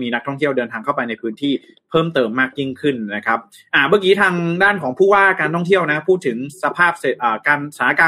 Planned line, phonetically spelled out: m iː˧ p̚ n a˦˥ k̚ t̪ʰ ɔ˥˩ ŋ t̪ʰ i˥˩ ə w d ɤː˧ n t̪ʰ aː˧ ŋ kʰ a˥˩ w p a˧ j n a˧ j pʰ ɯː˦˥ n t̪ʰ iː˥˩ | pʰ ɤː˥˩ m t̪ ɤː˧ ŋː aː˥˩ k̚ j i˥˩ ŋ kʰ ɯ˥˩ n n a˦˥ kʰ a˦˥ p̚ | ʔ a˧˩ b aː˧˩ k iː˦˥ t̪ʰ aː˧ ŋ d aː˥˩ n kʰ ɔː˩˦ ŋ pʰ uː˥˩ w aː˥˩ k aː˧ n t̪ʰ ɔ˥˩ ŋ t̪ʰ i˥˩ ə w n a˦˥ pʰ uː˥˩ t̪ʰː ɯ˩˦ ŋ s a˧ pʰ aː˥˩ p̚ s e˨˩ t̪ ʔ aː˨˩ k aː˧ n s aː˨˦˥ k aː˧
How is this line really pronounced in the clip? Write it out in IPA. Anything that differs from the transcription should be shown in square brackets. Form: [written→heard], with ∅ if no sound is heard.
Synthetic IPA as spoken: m iː˧ [p̚→∅] n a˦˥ k̚ t̪ʰ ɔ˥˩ ŋ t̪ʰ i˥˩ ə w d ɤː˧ n t̪ʰ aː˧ ŋ kʰ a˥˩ w p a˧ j n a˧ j pʰ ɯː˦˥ n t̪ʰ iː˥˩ | pʰ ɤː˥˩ m t̪ ɤː˧ [ŋː→mː] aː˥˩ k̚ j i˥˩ ŋ kʰ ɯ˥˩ n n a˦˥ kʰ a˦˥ p̚ | ʔ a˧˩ b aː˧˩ k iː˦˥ t̪ʰ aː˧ ŋ d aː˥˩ n kʰ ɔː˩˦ ŋ pʰ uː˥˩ w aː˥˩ k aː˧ n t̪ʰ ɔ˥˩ ŋ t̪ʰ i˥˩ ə w n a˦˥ pʰ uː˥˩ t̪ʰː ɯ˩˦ ŋ s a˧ pʰ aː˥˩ p̚ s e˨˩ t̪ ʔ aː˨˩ k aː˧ n s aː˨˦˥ k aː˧